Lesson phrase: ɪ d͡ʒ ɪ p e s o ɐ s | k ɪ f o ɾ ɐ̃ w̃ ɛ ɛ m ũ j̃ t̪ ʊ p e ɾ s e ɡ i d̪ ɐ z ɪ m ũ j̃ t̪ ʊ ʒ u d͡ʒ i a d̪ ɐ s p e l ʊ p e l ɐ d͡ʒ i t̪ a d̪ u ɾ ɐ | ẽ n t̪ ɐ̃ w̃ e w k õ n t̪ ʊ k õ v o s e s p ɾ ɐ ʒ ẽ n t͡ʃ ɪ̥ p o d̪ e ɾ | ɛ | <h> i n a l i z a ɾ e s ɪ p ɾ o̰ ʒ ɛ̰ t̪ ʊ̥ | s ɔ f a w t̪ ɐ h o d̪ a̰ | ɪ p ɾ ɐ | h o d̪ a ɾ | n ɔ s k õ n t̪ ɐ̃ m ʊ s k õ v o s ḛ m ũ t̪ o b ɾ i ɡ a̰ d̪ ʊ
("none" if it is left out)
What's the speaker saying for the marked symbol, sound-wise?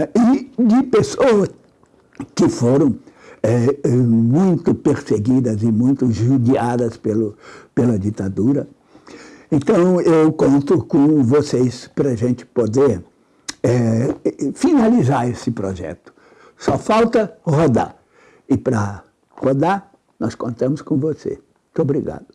f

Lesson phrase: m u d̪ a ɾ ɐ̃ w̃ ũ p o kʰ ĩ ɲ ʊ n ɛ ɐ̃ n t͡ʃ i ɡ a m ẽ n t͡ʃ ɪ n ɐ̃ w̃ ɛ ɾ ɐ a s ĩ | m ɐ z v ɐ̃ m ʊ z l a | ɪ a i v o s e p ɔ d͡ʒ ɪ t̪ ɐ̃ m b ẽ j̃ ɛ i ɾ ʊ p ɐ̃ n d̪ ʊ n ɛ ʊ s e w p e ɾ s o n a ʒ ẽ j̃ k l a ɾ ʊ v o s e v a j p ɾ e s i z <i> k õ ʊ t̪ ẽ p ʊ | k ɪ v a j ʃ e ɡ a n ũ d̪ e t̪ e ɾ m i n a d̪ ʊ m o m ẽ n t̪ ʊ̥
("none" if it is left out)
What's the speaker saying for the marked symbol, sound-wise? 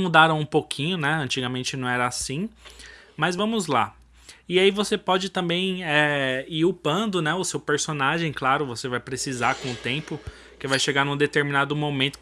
a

